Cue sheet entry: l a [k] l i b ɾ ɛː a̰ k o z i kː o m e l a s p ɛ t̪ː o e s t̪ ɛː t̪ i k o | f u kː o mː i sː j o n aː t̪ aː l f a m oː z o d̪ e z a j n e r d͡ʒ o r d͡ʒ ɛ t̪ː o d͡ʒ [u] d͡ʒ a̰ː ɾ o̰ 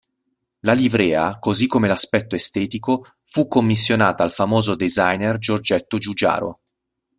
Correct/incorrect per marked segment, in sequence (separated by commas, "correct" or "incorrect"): incorrect, correct